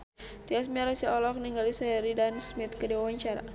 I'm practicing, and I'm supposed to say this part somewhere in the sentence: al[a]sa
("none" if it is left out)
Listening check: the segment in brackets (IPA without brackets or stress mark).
i